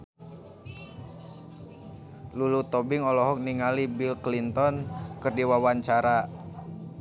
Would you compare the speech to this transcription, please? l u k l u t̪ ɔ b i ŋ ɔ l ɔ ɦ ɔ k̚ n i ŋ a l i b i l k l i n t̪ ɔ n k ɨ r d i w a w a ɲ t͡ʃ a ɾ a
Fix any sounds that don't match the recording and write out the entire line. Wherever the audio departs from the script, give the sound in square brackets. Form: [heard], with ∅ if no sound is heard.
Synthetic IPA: l u [∅] l u t̪ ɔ b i ŋ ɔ l ɔ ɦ ɔ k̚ n i ŋ a l i b i l k l i n t̪ ɔ n k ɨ r d i w a w a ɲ t͡ʃ a ɾ a